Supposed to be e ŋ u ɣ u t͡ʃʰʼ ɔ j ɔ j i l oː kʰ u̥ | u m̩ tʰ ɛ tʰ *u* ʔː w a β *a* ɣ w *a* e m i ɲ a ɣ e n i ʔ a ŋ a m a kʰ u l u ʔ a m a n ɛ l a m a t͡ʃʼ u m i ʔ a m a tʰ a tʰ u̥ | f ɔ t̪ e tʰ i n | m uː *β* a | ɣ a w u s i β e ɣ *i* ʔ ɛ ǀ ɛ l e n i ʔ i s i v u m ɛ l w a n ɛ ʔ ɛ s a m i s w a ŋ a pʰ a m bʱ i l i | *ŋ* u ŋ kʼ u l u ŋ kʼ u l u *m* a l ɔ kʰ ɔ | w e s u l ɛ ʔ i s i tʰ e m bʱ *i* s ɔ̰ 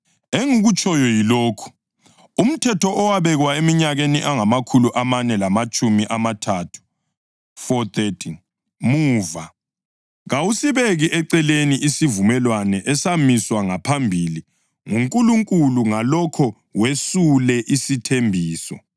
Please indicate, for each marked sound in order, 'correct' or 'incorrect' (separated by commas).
incorrect, incorrect, correct, incorrect, correct, correct, incorrect, incorrect